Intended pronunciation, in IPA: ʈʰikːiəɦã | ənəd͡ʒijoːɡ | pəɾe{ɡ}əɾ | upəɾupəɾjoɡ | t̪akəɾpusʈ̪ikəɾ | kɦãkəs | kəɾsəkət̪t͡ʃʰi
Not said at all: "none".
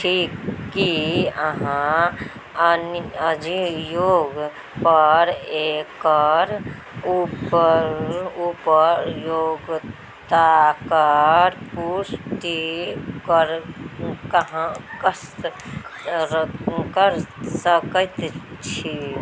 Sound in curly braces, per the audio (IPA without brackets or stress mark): k